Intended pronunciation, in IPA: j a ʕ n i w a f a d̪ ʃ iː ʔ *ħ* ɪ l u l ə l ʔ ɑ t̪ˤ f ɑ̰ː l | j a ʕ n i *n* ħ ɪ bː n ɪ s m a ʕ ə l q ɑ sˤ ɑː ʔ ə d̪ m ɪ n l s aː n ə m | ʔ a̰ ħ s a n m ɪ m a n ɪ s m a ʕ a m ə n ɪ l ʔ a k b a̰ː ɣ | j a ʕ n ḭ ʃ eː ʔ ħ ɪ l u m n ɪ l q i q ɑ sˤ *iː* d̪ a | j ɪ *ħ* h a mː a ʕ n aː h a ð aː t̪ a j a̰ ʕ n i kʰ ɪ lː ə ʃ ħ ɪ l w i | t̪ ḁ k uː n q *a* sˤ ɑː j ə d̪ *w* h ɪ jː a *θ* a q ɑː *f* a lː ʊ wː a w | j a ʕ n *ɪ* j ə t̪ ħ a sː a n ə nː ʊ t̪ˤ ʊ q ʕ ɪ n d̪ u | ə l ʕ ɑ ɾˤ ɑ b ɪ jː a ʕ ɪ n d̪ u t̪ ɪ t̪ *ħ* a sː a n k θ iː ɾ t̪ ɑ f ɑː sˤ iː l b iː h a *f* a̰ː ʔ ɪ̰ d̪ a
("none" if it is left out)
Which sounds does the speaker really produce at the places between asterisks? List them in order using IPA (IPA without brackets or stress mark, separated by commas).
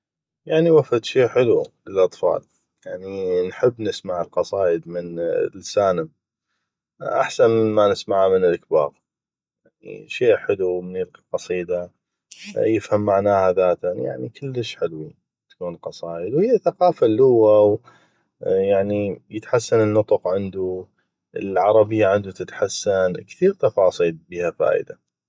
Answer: ħ, n, iː, f, ɑ, w, θ, f, i, ħ, f